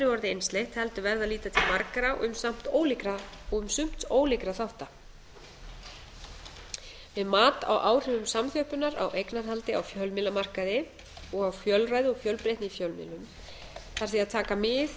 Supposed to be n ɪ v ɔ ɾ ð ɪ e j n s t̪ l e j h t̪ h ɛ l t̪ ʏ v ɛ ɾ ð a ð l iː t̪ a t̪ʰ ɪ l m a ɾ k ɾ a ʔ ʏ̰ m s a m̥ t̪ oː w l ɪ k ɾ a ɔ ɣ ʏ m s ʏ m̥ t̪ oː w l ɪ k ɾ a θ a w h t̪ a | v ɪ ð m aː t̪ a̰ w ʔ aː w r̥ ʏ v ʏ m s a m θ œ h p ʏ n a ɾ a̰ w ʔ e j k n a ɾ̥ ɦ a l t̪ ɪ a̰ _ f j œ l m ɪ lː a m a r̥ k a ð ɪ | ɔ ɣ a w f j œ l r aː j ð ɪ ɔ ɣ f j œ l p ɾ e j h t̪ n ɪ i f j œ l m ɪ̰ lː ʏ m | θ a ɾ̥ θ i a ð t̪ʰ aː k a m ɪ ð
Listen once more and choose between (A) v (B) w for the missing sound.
B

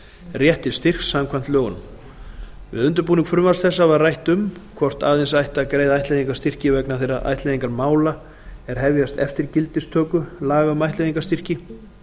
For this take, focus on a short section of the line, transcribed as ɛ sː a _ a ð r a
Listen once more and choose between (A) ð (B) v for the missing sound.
B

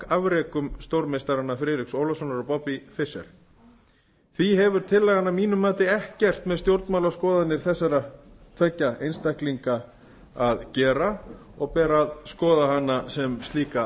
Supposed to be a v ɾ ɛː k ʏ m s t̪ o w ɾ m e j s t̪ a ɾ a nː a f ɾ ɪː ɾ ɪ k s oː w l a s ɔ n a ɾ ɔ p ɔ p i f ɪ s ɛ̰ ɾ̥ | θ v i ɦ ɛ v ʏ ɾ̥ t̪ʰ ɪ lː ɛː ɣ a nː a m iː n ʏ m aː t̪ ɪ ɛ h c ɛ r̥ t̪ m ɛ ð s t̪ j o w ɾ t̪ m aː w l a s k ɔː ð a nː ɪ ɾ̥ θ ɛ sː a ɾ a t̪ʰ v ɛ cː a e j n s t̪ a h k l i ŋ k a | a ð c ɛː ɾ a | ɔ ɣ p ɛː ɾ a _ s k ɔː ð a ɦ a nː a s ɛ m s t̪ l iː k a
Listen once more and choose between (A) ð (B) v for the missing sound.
A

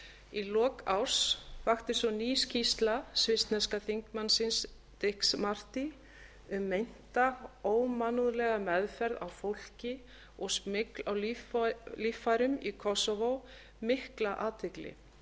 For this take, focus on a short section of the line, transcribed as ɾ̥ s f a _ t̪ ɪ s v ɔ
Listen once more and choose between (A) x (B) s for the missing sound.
A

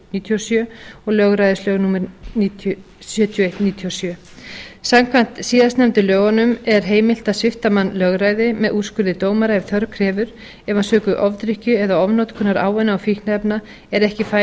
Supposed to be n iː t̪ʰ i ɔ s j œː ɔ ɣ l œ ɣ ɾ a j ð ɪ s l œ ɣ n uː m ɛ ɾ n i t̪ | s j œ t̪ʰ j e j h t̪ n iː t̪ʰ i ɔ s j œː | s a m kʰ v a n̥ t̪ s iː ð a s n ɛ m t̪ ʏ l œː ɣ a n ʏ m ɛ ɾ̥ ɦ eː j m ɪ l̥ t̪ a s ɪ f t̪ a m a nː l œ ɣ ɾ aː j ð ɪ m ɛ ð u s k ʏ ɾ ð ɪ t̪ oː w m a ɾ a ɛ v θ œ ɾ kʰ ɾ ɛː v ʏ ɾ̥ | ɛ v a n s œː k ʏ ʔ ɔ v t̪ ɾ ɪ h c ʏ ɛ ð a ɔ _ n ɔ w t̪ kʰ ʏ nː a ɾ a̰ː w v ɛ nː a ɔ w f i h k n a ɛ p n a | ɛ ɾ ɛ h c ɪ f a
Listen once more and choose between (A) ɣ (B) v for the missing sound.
B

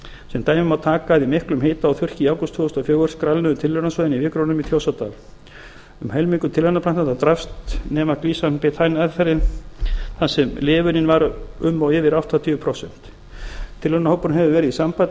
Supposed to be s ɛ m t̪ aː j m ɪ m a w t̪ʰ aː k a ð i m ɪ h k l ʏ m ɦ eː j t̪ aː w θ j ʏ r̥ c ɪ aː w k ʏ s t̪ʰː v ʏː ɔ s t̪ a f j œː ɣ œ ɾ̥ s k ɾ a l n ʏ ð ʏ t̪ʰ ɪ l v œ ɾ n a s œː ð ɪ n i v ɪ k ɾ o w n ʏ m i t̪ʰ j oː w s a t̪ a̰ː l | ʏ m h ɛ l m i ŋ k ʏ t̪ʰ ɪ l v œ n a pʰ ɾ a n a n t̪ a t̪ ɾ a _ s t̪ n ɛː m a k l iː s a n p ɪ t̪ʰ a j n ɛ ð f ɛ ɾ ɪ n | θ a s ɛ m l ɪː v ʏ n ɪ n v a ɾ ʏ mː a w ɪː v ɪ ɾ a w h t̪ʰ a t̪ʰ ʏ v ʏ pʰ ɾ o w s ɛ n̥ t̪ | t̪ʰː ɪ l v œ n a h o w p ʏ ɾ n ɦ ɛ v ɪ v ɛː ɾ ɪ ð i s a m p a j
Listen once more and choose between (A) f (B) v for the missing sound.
A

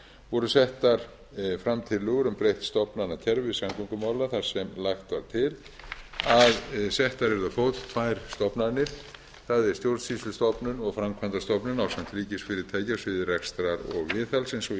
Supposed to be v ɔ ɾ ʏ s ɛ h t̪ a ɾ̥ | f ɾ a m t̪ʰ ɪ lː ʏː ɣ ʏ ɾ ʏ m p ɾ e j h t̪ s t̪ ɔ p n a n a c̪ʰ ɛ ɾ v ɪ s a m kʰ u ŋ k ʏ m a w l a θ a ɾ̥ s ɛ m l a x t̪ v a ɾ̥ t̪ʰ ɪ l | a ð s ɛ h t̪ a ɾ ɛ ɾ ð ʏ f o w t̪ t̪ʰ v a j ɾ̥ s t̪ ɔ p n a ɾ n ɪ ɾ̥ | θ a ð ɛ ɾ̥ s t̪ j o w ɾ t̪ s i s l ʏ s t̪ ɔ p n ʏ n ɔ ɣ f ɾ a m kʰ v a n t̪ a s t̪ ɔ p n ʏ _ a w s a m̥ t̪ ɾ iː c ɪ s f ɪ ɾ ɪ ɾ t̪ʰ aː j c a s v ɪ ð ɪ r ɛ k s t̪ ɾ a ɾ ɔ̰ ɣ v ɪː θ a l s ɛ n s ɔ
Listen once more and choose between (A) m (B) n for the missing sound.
B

